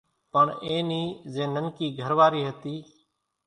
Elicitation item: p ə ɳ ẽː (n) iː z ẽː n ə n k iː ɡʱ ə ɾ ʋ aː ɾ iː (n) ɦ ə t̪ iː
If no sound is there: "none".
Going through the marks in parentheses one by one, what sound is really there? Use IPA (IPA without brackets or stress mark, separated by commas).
n, none